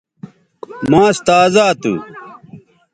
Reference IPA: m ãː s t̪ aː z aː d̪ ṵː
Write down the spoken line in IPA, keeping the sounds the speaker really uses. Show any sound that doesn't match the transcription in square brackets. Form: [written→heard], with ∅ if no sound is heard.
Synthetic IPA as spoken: m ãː s t̪ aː z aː [d̪→t̪] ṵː